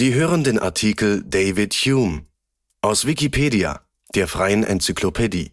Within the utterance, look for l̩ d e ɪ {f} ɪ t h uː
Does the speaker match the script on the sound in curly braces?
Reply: no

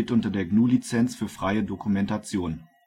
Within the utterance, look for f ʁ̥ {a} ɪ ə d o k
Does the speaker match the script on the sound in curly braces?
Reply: yes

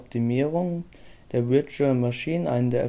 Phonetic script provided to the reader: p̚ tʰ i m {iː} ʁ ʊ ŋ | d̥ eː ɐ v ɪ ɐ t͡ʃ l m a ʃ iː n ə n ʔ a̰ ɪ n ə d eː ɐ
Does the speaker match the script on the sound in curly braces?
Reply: yes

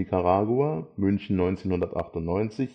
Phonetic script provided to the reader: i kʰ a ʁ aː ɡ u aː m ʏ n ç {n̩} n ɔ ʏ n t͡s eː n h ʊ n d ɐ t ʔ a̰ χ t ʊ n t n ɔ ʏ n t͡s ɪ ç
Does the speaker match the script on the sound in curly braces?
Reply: yes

